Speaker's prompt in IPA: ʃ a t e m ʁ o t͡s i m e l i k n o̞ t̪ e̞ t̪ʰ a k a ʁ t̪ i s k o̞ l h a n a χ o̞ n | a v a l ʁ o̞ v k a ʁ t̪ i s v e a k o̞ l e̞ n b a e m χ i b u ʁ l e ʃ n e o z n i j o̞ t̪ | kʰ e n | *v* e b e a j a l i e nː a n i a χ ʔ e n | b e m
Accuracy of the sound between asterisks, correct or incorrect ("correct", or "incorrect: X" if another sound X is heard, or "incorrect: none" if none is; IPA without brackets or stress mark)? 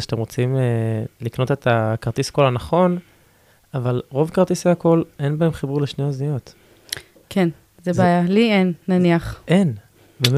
incorrect: z